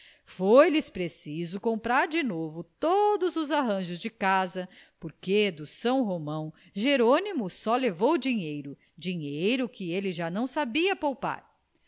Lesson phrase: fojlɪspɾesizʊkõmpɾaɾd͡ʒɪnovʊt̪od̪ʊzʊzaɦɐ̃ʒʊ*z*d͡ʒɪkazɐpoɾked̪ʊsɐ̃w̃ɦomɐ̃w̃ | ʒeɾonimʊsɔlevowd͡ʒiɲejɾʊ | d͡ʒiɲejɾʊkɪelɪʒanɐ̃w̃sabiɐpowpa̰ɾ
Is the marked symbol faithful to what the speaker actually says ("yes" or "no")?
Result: yes